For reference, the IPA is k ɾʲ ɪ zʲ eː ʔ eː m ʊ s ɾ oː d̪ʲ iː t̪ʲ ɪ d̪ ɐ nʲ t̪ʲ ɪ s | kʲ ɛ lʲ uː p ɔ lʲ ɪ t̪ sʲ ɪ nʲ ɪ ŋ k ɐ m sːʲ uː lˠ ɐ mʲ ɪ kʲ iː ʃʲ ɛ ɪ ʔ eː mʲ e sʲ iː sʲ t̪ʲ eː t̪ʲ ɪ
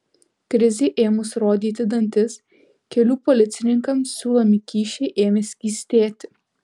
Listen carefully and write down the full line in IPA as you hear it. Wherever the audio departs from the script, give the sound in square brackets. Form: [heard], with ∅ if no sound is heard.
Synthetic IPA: k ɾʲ ɪ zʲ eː ʔ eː m ʊ s ɾ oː d̪ʲ iː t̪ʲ ɪ d̪ ɐ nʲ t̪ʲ ɪ s | kʲ ɛ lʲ uː p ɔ lʲ ɪ t̪ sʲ ɪ nʲ ɪ ŋ k ɐ m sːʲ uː lˠ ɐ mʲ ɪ kʲ iː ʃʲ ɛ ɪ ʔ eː mʲ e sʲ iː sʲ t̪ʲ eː t̪ʲ ɪ